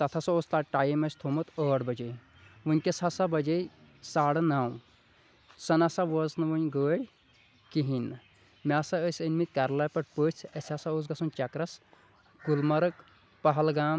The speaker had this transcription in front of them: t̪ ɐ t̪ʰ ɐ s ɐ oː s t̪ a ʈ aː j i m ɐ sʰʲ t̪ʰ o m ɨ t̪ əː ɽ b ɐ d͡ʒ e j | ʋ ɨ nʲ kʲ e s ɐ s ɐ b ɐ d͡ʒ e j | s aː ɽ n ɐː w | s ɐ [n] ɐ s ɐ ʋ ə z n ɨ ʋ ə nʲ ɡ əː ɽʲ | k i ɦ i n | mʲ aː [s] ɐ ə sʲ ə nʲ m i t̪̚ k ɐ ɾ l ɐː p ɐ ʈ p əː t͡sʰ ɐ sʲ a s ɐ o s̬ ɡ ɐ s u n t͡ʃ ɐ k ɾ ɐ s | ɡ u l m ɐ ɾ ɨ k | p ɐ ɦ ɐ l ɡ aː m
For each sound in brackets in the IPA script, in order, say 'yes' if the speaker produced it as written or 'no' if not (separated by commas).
yes, yes